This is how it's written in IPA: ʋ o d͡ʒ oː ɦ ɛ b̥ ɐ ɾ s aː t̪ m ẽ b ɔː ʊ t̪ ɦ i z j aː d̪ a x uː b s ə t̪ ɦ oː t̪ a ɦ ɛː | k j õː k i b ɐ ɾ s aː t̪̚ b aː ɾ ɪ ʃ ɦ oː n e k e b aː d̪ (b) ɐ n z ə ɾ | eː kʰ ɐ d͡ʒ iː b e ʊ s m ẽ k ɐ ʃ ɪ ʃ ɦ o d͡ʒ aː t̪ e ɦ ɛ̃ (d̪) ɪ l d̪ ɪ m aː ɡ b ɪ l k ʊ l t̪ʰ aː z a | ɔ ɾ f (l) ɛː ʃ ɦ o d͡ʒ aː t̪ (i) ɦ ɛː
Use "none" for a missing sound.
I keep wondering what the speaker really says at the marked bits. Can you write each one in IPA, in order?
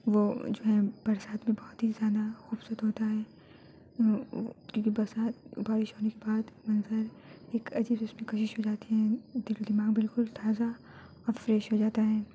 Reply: m, d̪, ɾ, a

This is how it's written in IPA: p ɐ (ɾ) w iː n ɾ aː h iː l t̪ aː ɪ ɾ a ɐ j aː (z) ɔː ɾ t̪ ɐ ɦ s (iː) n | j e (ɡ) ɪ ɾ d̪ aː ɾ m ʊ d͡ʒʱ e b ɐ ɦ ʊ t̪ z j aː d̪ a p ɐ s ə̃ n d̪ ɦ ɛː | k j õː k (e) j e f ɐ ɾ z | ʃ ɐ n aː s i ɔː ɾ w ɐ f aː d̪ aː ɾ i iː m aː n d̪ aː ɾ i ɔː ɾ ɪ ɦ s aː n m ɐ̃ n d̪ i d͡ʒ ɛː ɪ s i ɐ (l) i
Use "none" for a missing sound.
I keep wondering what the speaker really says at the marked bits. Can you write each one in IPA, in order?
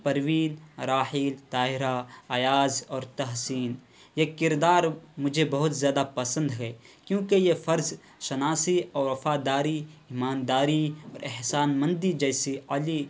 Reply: ɾ, z, iː, k, e, l

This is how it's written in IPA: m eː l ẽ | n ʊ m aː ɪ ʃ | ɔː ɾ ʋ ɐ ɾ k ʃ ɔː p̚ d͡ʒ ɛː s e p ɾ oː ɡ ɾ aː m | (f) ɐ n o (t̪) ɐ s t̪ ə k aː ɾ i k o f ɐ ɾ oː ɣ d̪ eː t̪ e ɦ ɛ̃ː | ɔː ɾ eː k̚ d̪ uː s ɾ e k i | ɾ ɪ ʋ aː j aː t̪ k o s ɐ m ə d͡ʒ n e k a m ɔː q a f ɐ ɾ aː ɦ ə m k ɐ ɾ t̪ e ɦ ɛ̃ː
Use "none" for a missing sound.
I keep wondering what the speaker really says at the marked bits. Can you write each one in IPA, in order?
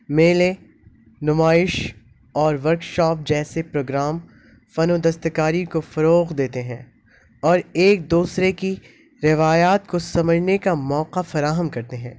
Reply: f, d̪

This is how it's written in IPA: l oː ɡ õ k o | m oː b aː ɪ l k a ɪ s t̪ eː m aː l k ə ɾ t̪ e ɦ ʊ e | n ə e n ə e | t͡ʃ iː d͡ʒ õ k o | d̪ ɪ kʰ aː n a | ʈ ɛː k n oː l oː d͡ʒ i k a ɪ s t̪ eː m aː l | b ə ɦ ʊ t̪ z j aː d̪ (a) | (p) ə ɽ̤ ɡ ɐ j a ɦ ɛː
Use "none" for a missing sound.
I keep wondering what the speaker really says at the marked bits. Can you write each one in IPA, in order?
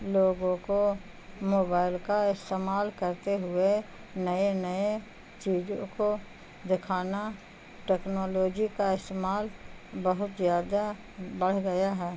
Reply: a, b

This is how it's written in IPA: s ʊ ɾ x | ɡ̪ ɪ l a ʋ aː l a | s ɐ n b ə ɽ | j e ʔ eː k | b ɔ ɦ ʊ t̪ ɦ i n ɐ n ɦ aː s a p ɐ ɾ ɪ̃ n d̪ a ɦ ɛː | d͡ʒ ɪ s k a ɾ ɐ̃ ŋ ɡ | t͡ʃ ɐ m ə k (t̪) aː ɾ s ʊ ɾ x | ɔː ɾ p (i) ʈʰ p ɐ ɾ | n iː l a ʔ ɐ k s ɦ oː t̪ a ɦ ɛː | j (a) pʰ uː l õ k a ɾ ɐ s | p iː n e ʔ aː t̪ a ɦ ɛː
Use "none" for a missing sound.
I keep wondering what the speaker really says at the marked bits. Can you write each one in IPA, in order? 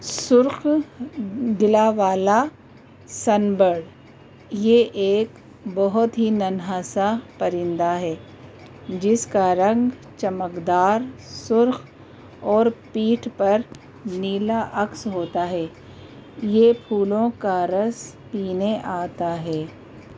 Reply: d̪, iː, e

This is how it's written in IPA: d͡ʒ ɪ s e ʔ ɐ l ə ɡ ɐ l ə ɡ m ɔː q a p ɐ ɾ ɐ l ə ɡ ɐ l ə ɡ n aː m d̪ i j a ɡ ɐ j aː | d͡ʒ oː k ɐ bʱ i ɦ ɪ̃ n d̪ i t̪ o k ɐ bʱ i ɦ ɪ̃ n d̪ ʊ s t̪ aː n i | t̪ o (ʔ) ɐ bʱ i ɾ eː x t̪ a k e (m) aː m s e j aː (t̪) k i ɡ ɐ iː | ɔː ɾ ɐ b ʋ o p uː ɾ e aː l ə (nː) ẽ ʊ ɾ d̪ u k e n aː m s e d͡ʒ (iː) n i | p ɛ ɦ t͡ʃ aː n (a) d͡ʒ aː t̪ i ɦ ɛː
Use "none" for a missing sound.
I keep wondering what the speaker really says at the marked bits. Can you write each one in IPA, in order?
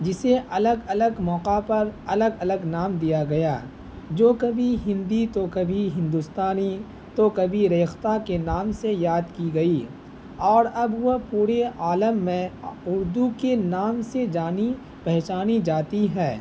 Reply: k, n, d̪, mː, aː, i

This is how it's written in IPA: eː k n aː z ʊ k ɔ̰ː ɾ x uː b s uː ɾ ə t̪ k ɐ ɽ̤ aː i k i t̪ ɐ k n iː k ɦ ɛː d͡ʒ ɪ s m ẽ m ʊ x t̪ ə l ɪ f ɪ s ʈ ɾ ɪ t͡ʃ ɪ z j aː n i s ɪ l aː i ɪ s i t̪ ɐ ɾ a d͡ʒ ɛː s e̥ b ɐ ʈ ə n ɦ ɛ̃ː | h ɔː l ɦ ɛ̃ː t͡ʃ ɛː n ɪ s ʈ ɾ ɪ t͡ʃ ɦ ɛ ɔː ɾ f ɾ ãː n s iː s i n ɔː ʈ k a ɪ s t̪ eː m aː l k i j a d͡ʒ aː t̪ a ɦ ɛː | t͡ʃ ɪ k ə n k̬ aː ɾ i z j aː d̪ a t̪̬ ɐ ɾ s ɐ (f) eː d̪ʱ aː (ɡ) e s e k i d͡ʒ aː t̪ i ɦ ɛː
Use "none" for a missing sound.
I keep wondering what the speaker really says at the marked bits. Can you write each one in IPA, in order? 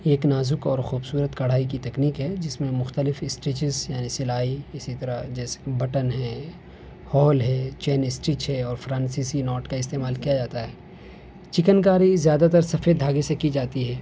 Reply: f, ɡ

